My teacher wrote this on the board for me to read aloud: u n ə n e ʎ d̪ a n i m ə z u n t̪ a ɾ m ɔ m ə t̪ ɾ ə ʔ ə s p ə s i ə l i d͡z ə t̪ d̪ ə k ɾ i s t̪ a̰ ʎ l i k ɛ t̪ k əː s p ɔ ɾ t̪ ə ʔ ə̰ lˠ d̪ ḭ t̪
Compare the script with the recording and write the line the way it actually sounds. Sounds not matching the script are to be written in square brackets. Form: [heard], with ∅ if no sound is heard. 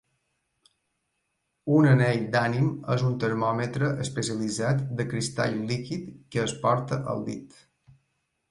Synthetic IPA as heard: u n ə n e ʎ d̪ a n i m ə z u n t̪ [ə] ɾ m ɔ m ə t̪ ɾ ə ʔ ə s p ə s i ə l i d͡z [a] t̪ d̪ ə k ɾ i s t̪ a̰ ʎ l i k [i] t̪ k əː s p ɔ ɾ t̪ ə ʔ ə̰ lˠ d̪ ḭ t̪